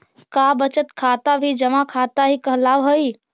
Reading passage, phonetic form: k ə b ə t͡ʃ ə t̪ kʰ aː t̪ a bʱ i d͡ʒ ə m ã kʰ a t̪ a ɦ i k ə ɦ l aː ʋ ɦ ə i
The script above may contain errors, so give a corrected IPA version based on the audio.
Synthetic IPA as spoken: k a b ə t͡ʃ ə t̪ kʰ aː t̪ a bʱ i d͡ʒ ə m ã kʰ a t̪ a ɦ i k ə ɦ l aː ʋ ɦ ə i

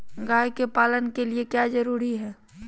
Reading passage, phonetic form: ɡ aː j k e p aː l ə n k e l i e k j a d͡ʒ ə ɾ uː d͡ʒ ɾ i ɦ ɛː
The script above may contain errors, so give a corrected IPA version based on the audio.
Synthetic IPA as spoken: ɡ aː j k e p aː l ə n k e l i e k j a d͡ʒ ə ɾ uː ɾ i ɦ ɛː

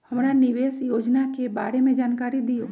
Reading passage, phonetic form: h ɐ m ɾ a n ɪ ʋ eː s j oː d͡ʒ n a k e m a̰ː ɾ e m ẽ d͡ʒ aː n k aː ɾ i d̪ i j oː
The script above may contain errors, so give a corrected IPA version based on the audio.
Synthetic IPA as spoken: h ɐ m ɾ a n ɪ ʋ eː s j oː d͡ʒ n a k e b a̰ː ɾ e m ẽ d͡ʒ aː n k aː ɾ i d̪ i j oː

